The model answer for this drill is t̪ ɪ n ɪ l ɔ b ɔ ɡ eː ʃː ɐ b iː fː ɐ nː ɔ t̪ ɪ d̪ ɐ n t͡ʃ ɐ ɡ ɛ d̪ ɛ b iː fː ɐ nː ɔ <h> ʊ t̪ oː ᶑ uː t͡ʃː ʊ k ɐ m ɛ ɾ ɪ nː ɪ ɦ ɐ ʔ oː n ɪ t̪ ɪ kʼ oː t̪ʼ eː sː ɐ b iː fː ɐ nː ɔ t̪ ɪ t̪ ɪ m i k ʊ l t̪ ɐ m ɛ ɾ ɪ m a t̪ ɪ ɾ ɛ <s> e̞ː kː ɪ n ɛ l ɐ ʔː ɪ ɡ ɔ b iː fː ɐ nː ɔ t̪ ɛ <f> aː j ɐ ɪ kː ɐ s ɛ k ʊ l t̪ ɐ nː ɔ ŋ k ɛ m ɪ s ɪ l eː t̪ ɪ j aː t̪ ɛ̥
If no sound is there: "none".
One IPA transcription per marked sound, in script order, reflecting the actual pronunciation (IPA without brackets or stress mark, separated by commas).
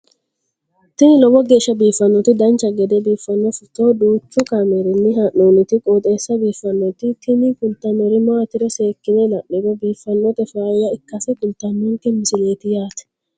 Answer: f, s, f